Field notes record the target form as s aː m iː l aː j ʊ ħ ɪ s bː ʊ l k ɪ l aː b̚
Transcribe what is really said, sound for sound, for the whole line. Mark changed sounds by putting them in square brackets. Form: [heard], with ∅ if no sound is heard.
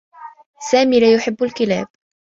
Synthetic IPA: s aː m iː l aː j ʊ ħ ɪ [∅] bː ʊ l k ɪ l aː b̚